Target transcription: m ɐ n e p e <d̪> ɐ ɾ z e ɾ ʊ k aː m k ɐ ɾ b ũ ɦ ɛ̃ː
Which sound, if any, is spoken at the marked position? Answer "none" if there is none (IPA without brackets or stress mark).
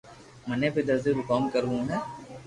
d̪